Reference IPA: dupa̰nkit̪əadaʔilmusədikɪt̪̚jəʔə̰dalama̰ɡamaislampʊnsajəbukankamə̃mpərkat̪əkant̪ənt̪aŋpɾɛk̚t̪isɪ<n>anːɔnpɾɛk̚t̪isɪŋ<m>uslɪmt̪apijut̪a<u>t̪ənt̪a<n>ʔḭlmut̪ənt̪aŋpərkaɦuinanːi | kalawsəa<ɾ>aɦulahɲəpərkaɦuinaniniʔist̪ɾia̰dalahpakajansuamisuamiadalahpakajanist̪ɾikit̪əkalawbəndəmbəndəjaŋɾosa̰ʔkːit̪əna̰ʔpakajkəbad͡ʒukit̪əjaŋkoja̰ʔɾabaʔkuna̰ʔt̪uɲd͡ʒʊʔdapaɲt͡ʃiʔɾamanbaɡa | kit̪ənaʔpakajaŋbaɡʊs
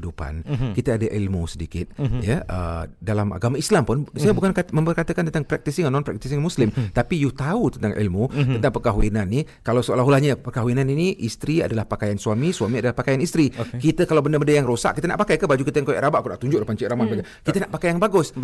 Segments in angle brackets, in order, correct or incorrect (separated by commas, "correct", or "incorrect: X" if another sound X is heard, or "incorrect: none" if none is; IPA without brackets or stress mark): incorrect: ŋ, correct, correct, incorrect: ŋ, incorrect: l